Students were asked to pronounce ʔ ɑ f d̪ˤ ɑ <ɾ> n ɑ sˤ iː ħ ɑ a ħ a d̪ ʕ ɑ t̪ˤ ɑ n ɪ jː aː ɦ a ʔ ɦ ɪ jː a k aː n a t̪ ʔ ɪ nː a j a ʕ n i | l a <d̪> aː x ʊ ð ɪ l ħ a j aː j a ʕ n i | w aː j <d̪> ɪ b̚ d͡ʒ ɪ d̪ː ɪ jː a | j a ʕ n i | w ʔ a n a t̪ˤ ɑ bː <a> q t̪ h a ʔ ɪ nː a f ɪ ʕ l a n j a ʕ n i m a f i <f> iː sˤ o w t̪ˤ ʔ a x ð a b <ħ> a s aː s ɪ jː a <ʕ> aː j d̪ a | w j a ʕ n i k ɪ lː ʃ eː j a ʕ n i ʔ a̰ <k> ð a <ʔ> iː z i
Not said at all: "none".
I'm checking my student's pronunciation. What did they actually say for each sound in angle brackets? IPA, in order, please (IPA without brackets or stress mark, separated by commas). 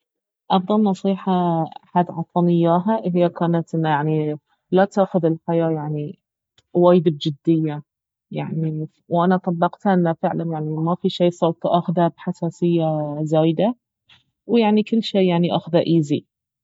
l, t̪, d̪, ɑ, ʃ, ħ, z, x, ʔ